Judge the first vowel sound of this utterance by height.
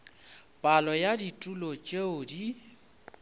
low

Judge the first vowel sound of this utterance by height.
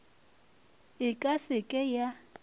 high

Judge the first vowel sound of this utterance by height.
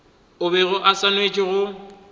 high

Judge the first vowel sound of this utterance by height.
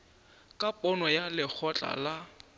low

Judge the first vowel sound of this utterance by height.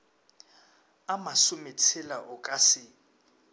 low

